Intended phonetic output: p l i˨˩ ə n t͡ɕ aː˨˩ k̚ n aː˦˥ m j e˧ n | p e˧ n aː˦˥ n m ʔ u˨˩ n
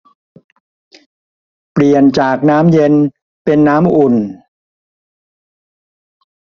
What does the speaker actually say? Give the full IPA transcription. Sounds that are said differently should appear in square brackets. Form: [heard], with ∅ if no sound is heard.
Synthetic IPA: p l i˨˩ ə n t͡ɕ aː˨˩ k̚ n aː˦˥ m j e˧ n | p e˧ [nː] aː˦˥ [∅] m ʔ u˨˩ n